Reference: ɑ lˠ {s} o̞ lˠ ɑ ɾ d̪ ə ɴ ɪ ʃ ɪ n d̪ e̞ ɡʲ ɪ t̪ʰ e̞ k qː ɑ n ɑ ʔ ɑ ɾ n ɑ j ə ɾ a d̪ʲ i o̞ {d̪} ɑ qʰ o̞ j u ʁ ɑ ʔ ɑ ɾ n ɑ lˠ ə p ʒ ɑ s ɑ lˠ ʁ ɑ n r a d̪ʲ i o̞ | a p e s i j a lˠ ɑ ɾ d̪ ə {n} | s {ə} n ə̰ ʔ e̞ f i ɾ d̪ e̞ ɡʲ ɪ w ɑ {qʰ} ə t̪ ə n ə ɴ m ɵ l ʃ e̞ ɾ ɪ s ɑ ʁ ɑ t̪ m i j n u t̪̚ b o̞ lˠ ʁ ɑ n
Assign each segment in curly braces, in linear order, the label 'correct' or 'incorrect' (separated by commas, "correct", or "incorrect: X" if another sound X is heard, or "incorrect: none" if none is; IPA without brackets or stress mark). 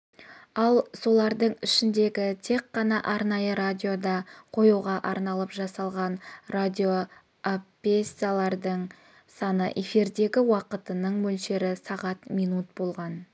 correct, correct, incorrect: ɴ, incorrect: ɑ, incorrect: q